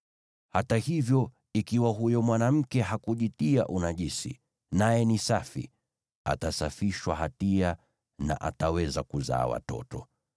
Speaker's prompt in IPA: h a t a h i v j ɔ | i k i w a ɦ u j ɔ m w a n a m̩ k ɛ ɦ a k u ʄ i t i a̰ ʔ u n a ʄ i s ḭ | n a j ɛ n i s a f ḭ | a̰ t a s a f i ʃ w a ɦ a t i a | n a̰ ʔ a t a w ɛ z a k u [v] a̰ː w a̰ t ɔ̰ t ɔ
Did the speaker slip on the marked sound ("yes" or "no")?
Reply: yes